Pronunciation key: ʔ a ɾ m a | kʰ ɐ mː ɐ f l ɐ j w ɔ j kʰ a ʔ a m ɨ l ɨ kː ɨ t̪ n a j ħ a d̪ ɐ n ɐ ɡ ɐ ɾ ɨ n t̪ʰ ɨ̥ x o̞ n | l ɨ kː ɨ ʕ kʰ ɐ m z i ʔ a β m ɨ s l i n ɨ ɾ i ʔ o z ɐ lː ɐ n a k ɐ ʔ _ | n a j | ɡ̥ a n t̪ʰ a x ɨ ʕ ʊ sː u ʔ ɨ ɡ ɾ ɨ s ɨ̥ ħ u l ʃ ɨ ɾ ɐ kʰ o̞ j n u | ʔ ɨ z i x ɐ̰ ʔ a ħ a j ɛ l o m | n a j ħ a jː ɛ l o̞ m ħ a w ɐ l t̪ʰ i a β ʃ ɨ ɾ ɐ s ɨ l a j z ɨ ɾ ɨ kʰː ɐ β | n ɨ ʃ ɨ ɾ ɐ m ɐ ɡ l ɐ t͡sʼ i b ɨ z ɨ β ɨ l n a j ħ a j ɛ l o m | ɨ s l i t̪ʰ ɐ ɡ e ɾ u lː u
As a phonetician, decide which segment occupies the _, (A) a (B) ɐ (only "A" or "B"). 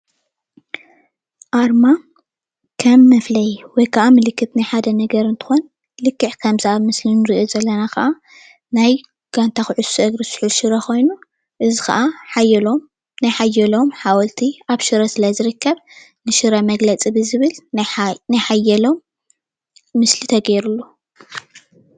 A